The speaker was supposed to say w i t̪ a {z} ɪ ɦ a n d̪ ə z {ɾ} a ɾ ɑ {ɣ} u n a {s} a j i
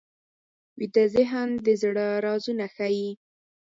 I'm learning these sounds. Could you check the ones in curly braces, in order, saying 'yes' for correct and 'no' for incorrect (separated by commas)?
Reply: yes, no, no, no